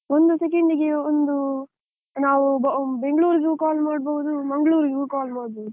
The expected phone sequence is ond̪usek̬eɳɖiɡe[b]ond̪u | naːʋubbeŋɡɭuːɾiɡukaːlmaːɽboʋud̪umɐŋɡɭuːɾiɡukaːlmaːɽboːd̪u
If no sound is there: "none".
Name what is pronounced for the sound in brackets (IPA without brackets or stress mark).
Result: none